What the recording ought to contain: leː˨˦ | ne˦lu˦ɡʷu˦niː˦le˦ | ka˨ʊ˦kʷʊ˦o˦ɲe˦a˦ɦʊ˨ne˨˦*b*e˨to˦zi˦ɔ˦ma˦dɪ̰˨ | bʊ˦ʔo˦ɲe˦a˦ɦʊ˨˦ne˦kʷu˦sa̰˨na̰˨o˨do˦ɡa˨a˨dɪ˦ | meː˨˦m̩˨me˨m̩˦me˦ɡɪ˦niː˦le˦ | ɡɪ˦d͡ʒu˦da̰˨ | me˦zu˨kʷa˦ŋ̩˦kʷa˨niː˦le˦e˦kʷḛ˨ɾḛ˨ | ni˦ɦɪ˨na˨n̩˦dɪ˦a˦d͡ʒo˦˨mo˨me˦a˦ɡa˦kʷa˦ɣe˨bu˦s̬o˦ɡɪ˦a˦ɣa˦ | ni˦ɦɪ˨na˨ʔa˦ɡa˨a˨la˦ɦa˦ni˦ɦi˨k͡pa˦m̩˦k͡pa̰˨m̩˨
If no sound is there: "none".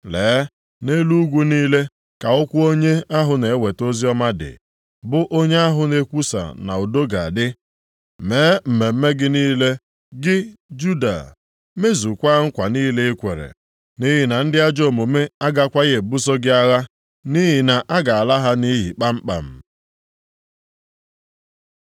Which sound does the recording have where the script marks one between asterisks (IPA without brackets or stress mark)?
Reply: w